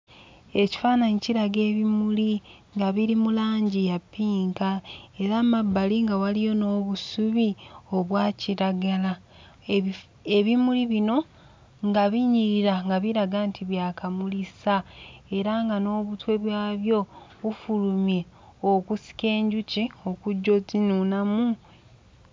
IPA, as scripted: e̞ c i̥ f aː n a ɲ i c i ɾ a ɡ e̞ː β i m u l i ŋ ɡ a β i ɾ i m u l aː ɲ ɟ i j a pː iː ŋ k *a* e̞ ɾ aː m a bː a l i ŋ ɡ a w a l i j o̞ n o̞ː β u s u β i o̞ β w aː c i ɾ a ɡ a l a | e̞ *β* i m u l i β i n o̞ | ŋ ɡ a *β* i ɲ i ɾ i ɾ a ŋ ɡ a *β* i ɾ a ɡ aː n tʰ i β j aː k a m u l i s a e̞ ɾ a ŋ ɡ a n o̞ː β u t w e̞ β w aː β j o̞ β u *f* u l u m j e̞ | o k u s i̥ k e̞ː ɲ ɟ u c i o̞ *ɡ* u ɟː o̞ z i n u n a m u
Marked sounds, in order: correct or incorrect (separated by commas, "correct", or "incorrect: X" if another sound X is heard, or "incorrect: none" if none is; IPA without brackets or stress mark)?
correct, correct, correct, correct, correct, incorrect: k